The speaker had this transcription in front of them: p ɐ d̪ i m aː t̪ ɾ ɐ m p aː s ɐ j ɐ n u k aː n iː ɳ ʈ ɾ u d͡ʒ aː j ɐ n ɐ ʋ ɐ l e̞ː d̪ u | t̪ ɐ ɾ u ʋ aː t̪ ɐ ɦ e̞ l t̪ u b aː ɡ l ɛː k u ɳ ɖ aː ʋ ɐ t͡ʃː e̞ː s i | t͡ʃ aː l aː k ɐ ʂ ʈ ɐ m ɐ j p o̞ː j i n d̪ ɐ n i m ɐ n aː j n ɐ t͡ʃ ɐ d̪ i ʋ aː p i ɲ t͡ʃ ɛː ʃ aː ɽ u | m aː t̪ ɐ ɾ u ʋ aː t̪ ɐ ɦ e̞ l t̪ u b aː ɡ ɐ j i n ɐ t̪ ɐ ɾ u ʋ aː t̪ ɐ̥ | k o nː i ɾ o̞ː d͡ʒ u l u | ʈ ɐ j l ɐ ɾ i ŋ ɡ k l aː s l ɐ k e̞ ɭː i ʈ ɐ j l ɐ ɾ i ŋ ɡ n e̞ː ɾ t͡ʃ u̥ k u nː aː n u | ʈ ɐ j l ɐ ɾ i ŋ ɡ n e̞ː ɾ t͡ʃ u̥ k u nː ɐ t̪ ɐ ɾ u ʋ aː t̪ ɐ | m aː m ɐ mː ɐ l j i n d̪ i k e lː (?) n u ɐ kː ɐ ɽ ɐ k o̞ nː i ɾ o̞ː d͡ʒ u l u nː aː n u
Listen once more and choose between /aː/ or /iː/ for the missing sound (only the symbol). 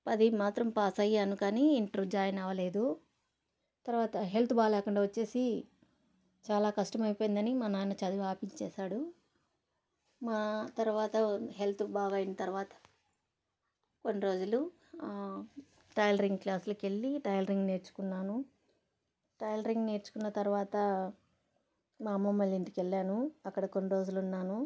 aː